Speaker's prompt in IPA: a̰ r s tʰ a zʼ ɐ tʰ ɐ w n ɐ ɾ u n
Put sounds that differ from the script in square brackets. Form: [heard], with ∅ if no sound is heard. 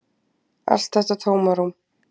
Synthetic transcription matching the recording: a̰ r s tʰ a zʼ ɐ tʰ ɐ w [m] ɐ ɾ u [m]